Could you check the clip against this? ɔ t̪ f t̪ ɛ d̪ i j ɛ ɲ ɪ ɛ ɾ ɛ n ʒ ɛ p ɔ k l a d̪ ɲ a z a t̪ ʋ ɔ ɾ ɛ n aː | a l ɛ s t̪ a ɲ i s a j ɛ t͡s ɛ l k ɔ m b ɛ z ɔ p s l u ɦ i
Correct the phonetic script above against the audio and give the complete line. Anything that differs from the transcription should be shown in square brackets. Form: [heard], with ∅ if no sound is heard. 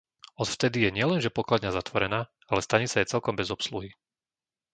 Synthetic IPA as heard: ɔ t̪ f t̪ ɛ d̪ i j ɛ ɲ ɪ ɛ [l] ɛ n ʒ ɛ p ɔ k l a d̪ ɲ a z a t̪ ʋ ɔ ɾ ɛ n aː | a l ɛ s t̪ a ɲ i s a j ɛ t͡s ɛ l k ɔ m b ɛ z ɔ p s l u ɦ i